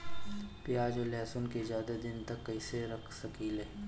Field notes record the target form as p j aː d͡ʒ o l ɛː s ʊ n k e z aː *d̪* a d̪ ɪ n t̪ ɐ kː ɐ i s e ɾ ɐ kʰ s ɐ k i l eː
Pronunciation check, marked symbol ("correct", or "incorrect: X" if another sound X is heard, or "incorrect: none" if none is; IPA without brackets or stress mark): correct